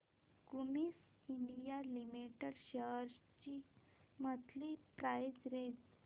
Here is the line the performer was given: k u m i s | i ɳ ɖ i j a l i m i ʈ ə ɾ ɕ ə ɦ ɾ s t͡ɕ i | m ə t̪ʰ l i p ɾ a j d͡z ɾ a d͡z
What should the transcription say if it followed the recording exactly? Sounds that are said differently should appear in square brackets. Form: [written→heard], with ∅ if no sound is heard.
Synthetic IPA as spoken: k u m i s | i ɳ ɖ i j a l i m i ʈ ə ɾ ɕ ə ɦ ɾ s t͡ɕ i | m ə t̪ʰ l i p ɾ a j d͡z ɾ [a→e] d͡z